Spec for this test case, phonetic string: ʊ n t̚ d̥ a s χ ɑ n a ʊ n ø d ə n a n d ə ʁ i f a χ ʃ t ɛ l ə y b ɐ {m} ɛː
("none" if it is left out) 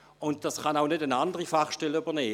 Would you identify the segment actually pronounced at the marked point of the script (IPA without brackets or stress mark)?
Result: n